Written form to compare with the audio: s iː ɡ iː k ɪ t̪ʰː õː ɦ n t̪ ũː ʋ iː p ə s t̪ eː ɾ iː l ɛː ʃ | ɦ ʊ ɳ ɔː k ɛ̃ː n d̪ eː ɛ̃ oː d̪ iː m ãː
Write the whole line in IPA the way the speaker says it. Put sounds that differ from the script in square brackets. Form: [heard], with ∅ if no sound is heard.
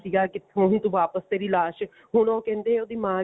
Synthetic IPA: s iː ɡ [aː] k ɪ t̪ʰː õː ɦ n t̪ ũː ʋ [aː] p ə s t̪ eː ɾ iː l [aː] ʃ | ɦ ʊ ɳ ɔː k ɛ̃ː n d̪ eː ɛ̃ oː d̪ iː m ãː

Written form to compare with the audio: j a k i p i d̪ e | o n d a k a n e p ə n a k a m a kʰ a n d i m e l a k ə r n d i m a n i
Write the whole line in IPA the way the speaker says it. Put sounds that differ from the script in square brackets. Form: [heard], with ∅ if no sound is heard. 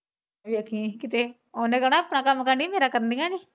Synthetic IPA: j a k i [k] i [t̪] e | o n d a k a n [a] p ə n a k a m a [k] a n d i m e [ɾ] a k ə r n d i [ŋ] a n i

